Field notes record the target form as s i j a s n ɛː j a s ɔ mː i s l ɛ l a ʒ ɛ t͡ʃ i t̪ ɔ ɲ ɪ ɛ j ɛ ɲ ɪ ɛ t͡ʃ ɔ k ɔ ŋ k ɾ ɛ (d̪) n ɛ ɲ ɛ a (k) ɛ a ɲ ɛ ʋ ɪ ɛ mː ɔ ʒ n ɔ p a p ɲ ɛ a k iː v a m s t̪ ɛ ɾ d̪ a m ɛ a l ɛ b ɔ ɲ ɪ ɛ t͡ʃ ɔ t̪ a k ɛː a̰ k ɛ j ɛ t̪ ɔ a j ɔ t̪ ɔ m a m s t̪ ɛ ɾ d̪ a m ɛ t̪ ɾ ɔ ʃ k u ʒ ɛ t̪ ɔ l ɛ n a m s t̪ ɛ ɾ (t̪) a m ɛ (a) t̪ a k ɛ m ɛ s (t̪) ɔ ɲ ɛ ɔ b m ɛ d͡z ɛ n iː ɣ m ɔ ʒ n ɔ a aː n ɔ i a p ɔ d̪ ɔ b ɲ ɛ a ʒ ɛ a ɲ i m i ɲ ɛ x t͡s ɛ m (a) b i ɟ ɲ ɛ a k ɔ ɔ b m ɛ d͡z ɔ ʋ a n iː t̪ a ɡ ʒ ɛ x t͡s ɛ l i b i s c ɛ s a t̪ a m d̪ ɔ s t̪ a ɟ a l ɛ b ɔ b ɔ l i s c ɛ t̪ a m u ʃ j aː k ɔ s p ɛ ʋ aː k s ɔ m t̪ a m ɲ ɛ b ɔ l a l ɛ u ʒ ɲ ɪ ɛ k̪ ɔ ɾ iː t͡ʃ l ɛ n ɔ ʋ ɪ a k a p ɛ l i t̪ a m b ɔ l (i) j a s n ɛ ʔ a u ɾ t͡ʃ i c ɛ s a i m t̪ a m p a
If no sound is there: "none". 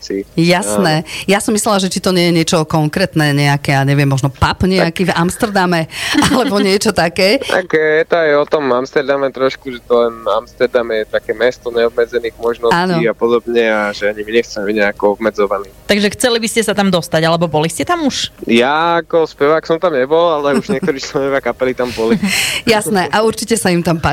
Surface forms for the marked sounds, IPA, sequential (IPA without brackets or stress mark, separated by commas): t̪, k, d̪, ɛ, t̪, ɛ, i